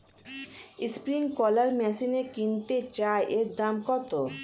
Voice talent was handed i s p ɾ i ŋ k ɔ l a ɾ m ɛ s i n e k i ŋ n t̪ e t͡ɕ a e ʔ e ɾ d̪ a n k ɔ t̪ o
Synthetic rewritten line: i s p ɾ i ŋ k ɔ l a ɾ m ɛ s i n e k i n t̪ e t͡ɕ a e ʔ e ɾ d̪ a m k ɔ t̪ o